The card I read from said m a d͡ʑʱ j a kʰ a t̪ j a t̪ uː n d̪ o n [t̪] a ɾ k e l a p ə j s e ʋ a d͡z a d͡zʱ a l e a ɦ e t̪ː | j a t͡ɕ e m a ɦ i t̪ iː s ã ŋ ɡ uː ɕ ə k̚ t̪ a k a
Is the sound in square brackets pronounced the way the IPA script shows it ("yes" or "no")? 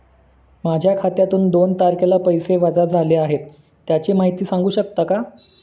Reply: yes